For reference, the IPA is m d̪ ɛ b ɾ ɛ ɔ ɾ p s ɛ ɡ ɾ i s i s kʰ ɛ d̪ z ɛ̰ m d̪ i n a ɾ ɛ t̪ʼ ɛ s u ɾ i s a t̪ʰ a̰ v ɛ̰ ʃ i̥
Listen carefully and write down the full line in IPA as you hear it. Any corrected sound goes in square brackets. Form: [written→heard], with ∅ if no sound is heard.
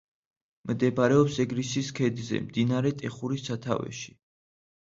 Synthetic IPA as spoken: m d̪ ɛ b ɾ ɛ ɔ [ɾ→∅] p s ɛ ɡ ɾ i s i s kʰ ɛ d̪ z ɛ̰ m d̪ i n a ɾ ɛ t̪ʼ ɛ [s→χ] u ɾ i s a t̪ʰ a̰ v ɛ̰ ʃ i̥